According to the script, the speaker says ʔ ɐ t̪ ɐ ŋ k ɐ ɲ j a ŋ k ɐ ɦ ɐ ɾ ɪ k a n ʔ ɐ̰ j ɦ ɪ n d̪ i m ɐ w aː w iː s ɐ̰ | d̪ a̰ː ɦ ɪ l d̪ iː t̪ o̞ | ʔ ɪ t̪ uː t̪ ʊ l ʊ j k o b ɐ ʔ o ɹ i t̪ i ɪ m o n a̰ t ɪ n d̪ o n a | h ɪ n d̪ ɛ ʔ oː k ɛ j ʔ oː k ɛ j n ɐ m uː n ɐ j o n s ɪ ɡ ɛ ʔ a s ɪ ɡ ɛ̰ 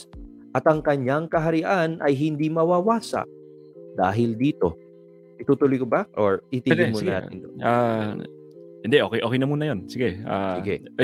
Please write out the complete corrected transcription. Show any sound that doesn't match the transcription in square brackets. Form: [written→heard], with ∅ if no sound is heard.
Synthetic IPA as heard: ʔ ɐ t̪ ɐ ŋ k ɐ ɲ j a ŋ k ɐ ɦ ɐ ɾ ɪ [k→ʔ] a n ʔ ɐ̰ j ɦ ɪ n d̪ i m ɐ w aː w [iː→aː] s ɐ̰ | d̪ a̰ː ɦ ɪ l d̪ iː t̪ o̞ | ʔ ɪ t̪ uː t̪ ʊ l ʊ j k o b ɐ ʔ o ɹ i t̪ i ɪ m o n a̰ t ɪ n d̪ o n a | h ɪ n d̪ ɛ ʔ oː k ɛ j ʔ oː k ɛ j n ɐ m uː n ɐ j o n s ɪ ɡ ɛ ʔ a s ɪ ɡ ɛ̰